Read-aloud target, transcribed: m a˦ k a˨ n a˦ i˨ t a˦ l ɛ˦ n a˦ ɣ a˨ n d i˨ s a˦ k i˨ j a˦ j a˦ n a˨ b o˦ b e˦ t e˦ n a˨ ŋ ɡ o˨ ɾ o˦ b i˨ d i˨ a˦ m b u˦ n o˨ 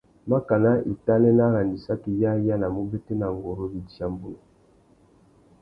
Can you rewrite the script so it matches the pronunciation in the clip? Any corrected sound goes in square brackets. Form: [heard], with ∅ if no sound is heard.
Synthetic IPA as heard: m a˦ k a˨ n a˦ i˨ t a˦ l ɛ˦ n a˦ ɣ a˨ n d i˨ s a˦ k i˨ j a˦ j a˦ n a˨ [m] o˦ b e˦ t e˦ n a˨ ŋ ɡ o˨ ɾ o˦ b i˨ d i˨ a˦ m b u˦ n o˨